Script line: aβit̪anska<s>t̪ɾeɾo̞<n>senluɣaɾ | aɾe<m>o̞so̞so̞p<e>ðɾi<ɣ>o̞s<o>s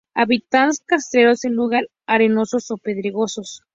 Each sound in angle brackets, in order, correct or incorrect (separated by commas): correct, incorrect, incorrect, correct, correct, correct